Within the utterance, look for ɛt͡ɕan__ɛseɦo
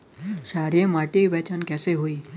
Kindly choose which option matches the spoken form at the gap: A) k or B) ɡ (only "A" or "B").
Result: A